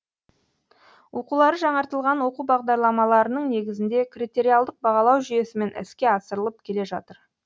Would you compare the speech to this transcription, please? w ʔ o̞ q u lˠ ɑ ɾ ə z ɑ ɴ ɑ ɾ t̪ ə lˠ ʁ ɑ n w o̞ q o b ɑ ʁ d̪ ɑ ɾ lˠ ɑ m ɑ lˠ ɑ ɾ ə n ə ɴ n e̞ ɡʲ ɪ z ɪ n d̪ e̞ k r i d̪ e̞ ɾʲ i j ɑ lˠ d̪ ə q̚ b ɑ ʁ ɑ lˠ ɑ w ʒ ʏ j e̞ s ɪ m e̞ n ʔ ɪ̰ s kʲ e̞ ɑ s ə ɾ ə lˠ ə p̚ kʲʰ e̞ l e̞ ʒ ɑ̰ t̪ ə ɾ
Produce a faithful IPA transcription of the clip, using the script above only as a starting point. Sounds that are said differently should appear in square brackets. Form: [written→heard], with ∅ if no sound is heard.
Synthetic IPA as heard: w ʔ o̞ q u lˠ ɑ ɾ ə [z→ʒ] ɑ ɴ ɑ ɾ t̪ ə lˠ ʁ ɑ n w o̞ q [o→u] b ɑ ʁ d̪ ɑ ɾ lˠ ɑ m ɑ lˠ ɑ ɾ ə n ə ɴ n e̞ ɡʲ ɪ z ɪ n d̪ e̞ k r i [d̪→t̪] e̞ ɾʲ i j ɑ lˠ d̪ ə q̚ b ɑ ʁ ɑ lˠ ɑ w ʒ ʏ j e̞ s ɪ m e̞ n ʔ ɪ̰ s kʲ e̞ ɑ s ə ɾ ə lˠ ə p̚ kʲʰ e̞ l e̞ ʒ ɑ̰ t̪ ə ɾ

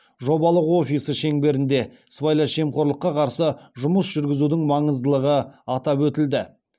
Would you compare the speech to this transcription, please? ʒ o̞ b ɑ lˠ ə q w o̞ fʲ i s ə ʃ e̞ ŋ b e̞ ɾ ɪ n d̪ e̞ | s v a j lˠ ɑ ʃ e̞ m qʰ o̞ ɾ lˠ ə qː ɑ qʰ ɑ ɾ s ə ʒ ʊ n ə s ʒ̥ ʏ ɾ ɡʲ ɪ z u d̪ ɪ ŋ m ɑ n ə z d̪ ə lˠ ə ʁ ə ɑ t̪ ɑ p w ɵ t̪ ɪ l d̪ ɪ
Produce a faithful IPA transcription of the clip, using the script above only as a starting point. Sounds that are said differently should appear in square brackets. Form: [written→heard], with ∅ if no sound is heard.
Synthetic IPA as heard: ʒ o̞ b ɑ lˠ ə q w o̞ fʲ i s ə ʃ e̞ ŋ b e̞ ɾ ɪ n d̪ e̞ | s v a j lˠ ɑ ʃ e̞ m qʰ o̞ ɾ lˠ ə qː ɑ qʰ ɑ ɾ s ə ʒ ʊ [n→m] ə s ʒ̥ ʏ ɾ ɡʲ ɪ z u d̪ ɪ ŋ m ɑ [n→ɴ] ə z d̪ ə lˠ ə ʁ ə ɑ t̪ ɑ p w ɵ t̪ ɪ l d̪ ɪ

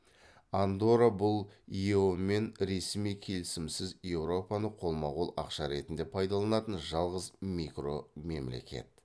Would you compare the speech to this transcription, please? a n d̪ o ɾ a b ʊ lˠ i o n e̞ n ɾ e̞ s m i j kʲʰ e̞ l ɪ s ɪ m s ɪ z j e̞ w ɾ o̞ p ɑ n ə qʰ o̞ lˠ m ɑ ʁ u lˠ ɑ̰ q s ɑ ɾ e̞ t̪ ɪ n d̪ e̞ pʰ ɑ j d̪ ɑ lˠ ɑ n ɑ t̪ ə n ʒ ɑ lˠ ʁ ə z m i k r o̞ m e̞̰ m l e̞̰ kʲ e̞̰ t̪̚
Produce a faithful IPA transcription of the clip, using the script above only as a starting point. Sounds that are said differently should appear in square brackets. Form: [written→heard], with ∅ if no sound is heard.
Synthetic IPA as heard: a n d̪ o ɾ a b ʊ lˠ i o [n→m] e̞ n ɾ e̞ s m i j kʲʰ e̞ l ɪ s ɪ m s ɪ z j e̞ w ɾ o̞ p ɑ n ə qʰ o̞ lˠ m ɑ ʁ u lˠ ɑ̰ q [s→ʃ] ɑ ɾ e̞ t̪ ɪ n d̪ e̞ pʰ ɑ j d̪ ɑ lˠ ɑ n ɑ t̪ ə n ʒ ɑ lˠ ʁ ə z m i k r o̞ m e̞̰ m l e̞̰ kʲ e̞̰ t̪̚

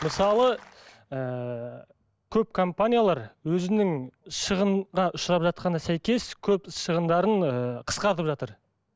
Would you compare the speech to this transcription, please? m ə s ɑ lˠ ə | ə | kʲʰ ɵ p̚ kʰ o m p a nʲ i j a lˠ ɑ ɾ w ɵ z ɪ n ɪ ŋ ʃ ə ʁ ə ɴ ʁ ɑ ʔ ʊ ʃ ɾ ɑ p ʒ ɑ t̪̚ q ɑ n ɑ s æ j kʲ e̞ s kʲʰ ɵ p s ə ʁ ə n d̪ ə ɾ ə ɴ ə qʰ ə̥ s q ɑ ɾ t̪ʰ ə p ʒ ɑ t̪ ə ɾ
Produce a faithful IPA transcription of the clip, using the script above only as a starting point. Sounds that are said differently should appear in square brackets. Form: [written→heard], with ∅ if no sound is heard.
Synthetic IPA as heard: m ə s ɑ lˠ ə | ə | kʲʰ ɵ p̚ kʰ o m p a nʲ i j a lˠ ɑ ɾ w ɵ z ɪ n ɪ ŋ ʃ ə ʁ ə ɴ ʁ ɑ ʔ ʊ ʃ ɾ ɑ p ʒ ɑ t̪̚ q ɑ n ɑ s æ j kʲ e̞ s kʲʰ ɵ p [s→ʃ] ə ʁ ə n d̪ [ə→ɑ] ɾ ə ɴ ə qʰ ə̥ s q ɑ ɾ [t̪ʰ→t̪] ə p ʒ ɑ t̪ ə ɾ

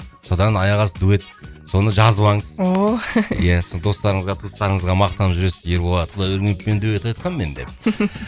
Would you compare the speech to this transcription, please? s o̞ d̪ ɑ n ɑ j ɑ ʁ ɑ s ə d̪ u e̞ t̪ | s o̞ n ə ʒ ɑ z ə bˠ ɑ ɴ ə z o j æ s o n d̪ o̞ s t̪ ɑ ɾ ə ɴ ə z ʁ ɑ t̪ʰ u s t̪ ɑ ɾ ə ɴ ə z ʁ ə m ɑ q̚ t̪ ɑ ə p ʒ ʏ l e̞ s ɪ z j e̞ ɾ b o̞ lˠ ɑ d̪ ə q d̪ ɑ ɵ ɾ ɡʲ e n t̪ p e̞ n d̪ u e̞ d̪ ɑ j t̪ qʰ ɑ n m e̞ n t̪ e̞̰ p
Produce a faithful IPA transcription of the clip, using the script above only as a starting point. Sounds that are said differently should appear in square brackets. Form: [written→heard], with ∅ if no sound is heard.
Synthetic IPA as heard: s o̞ d̪ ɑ n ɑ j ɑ ʁ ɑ s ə d̪ u e̞ t̪ | s o̞ n ə ʒ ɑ z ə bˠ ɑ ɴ ə z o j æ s o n d̪ o̞ s t̪ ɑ ɾ ə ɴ ə z ʁ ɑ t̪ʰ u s t̪ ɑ ɾ ə ɴ ə z ʁ [ə→ɑ] m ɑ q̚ t̪ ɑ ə p ʒ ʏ [l→ɾ] e̞ s ɪ z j e̞ ɾ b o̞ lˠ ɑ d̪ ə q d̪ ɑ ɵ ɾ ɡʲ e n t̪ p e̞ n d̪ u e̞ [d̪→t̪] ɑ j t̪ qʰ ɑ n m e̞ n [t̪→d̪] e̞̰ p

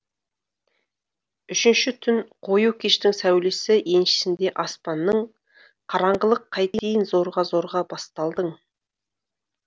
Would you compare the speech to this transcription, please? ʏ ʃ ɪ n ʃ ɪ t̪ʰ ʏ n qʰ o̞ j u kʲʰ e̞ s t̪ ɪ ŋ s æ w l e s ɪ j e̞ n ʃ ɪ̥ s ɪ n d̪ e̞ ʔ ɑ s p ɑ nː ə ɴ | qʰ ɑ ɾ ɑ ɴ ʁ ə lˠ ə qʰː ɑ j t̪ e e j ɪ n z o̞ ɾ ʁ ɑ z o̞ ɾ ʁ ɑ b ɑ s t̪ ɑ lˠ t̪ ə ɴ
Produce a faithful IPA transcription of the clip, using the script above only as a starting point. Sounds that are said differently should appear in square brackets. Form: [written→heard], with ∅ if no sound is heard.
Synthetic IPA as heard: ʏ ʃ ɪ n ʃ ɪ t̪ʰ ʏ n qʰ o̞ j u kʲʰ e̞ [s→ʃ] t̪ ɪ ŋ s æ w l e s ɪ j e̞ n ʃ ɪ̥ s ɪ n d̪ e̞ ʔ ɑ s p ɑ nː ə ɴ | qʰ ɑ ɾ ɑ ɴ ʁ ə lˠ ə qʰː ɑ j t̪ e e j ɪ n z o̞ ɾ ʁ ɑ z o̞ ɾ ʁ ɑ b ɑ s t̪ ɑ lˠ [t̪→d̪] ə ɴ

